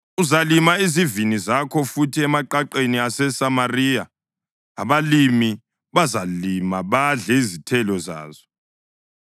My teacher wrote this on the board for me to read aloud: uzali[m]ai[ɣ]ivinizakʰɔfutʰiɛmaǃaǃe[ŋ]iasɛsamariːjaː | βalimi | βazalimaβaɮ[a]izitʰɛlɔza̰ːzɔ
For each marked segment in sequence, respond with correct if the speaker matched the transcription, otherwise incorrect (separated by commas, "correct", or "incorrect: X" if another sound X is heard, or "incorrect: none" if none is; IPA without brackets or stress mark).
correct, incorrect: z, incorrect: n, incorrect: ɛ